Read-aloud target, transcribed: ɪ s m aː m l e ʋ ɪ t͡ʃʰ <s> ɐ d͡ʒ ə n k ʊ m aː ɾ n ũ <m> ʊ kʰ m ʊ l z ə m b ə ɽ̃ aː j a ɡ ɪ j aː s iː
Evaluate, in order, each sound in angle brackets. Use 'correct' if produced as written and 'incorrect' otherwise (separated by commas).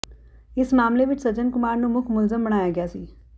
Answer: correct, correct